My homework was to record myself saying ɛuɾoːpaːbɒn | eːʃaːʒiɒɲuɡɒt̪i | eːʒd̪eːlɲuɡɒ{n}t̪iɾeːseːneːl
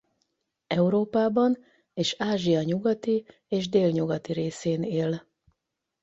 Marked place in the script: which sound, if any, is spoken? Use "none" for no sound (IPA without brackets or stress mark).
none